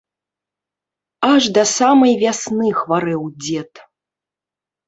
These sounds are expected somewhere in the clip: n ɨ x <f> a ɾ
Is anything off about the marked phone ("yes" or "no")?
yes